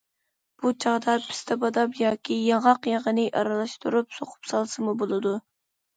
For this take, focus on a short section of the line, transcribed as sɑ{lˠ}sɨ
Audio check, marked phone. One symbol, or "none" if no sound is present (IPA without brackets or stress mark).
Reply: lˠ